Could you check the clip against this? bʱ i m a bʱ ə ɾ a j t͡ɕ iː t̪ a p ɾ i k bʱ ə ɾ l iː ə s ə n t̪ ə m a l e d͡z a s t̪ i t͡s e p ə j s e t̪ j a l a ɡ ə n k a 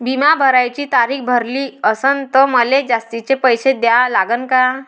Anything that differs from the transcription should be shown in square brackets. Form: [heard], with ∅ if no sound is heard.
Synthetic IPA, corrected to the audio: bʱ i m a bʱ ə ɾ a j t͡ɕ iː t̪ a [∅] ɾ i k bʱ ə ɾ l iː ə s ə n t̪ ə m [ə] l e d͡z a s t̪ i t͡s e p ə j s e [d̪] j a l a ɡ ə n k a